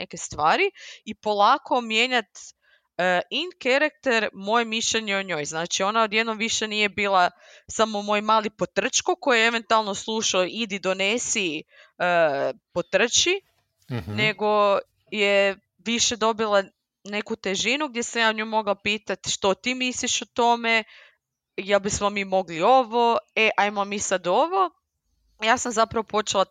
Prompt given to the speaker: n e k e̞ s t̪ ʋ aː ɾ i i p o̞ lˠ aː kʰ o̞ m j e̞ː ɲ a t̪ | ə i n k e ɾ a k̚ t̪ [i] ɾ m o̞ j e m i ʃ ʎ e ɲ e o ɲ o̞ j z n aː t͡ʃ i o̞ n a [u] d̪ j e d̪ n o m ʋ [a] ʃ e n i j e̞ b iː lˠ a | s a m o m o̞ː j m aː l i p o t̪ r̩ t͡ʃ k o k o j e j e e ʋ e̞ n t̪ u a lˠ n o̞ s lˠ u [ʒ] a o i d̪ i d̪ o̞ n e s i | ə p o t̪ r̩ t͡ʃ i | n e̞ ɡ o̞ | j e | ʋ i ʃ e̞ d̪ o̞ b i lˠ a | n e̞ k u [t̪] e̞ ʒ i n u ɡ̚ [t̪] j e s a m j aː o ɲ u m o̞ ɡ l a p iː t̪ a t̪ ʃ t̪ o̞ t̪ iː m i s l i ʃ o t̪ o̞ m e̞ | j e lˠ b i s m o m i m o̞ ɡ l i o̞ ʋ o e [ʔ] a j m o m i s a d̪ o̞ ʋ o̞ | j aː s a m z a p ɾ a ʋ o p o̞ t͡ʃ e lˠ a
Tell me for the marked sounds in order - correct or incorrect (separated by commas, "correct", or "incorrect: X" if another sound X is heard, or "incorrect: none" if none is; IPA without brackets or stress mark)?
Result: incorrect: e, incorrect: o, incorrect: i, incorrect: ʃ, correct, incorrect: d̪, correct